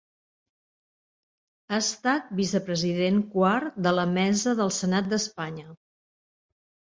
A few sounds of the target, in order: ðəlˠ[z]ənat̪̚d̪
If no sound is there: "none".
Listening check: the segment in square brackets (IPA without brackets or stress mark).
s